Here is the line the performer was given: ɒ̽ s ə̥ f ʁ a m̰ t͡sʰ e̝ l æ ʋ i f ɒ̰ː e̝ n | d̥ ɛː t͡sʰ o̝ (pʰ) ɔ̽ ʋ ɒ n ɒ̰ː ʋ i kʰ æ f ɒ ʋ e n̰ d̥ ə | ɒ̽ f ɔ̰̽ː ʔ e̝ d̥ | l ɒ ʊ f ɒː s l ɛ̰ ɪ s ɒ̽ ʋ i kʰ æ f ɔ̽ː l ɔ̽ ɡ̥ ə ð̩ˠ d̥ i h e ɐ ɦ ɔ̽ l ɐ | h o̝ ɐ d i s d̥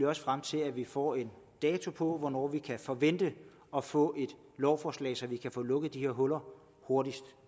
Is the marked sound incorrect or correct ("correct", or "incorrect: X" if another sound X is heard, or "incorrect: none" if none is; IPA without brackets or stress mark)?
correct